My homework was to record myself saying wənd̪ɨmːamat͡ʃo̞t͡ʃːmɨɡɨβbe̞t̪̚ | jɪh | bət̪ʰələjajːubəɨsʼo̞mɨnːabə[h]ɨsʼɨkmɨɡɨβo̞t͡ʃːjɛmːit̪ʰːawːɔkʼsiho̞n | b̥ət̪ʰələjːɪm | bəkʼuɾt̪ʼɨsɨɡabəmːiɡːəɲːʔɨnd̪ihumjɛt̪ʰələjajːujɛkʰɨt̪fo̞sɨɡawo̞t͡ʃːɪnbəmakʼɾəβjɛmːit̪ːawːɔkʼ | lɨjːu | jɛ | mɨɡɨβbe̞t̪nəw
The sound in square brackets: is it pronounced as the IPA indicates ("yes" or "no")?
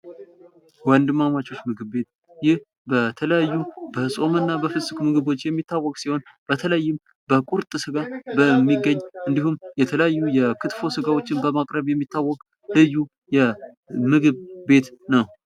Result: no